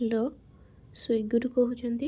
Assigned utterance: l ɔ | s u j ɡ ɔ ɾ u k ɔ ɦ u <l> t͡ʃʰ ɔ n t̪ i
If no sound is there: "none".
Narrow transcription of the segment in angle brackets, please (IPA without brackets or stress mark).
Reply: none